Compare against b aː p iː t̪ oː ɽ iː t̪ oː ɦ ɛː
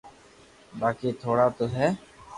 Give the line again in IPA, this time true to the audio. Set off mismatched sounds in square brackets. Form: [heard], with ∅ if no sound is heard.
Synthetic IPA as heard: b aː [k] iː [t̪ʰ] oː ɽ [aː] t̪ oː ɦ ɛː

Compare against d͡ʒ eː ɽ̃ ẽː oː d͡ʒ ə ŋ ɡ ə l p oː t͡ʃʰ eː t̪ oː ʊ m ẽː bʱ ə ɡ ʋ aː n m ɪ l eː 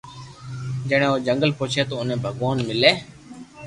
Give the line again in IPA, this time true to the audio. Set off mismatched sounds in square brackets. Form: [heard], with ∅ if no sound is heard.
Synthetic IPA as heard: d͡ʒ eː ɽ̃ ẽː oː d͡ʒ ə ŋ ɡ ə l p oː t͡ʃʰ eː t̪ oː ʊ [n] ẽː bʱ ə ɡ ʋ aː n m ɪ l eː

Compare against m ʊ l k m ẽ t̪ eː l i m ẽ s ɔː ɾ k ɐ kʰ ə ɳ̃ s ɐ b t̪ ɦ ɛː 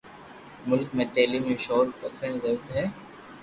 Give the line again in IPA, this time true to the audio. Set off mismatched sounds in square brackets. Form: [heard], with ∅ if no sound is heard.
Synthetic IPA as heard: m ʊ l k m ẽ t̪ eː l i m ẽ [ʃ] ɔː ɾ [p] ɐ kʰ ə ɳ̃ [z] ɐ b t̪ ɦ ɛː

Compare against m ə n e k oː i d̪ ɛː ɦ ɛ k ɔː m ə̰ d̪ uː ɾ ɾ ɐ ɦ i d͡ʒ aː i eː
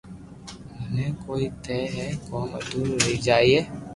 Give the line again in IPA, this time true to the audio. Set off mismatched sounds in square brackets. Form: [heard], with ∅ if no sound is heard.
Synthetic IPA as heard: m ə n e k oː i [t̪] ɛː ɦ ɛ k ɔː m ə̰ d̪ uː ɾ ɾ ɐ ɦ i d͡ʒ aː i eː

